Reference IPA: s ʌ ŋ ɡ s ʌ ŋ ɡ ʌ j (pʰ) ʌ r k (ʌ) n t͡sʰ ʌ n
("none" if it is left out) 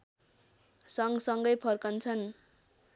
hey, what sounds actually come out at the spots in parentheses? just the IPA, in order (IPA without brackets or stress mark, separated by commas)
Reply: pʰ, ʌ